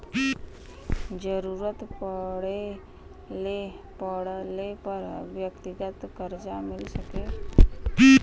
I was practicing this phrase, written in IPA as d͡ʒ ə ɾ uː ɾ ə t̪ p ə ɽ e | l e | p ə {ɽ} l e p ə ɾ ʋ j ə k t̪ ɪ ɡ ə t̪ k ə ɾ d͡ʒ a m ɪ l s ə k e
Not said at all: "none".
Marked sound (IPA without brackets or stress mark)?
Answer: ɽ